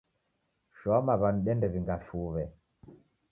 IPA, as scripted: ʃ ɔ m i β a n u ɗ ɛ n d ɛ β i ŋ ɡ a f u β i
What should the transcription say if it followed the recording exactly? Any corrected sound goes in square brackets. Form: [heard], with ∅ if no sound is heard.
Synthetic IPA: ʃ ɔ m [a] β a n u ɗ ɛ n d ɛ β i ŋ ɡ a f u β [ɛ]